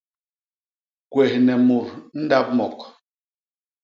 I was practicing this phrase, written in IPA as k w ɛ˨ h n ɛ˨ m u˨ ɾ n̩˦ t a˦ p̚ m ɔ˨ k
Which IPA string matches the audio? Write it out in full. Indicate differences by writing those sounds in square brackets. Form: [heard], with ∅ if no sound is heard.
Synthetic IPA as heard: k w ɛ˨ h n ɛ˨ m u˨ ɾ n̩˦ [d] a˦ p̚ m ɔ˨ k